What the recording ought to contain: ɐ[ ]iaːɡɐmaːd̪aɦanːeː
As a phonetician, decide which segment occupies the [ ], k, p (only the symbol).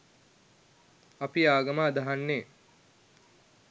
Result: p